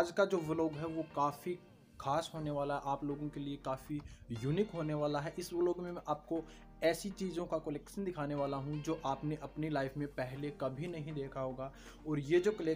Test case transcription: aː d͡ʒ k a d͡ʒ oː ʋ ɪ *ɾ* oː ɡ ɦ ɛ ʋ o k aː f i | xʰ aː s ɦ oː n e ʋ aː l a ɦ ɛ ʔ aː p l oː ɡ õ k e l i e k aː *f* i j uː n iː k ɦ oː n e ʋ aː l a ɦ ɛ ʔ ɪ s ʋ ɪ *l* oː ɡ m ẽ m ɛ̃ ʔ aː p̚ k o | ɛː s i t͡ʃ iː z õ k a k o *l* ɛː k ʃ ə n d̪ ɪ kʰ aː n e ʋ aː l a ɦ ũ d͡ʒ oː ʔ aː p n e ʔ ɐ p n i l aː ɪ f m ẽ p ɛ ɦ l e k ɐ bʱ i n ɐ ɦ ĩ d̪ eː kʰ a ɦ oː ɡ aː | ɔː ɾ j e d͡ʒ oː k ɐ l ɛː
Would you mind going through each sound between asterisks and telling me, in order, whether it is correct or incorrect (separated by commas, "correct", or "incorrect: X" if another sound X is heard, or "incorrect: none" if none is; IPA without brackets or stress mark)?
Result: incorrect: l, correct, correct, correct